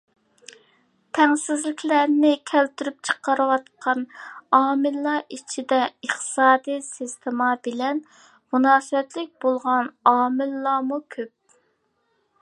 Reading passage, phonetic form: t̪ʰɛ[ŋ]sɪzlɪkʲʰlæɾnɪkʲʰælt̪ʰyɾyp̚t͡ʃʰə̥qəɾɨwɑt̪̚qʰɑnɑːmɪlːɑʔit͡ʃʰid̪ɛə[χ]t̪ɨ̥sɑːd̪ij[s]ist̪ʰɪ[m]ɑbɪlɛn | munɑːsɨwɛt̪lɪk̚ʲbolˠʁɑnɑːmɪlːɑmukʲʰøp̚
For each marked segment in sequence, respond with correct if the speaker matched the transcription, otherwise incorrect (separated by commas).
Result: correct, correct, correct, correct